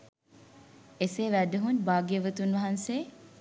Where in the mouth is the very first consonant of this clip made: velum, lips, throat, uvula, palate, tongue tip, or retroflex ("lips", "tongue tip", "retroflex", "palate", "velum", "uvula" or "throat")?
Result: tongue tip